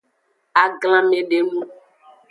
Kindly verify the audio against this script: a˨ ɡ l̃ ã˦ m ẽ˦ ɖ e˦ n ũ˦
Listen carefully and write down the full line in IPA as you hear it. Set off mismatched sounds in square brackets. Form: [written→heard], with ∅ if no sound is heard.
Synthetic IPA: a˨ ɡ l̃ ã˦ m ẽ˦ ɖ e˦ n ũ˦